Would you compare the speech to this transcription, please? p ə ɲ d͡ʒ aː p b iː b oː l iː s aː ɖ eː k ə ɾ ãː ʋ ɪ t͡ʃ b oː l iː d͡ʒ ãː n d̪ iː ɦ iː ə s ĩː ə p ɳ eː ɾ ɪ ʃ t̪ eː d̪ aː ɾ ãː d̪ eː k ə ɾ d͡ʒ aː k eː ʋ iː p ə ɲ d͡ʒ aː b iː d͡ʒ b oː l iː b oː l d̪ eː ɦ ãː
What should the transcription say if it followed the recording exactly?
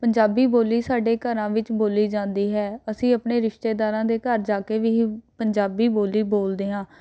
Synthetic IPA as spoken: p ə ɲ d͡ʒ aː b iː b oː l iː s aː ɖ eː k ə ɾ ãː ʋ ɪ t͡ʃ b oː l iː d͡ʒ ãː n d̪ iː ɦ ɛː ə s ĩː ə p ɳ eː ɾ ɪ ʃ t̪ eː d̪ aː ɾ ãː d̪ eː k ə ɾ d͡ʒ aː k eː ʋ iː p ə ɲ d͡ʒ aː b iː b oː l iː b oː l d̪ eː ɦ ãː